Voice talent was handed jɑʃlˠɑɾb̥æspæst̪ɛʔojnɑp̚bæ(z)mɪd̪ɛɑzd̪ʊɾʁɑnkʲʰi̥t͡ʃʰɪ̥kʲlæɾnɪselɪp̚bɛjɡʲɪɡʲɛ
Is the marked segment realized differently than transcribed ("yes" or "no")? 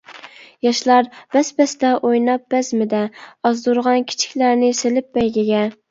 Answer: no